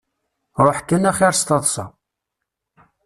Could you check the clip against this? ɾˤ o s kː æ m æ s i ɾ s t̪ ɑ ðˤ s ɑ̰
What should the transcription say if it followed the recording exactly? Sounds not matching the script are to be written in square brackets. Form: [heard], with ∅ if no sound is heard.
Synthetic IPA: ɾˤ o [ħ] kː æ [n] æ [χ] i ɾ s t̪ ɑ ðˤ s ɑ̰